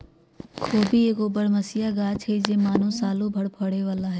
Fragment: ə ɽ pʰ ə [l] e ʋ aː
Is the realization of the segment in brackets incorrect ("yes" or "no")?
yes